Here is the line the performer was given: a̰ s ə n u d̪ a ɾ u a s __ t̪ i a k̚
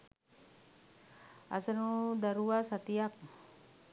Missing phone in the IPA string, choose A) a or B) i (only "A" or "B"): A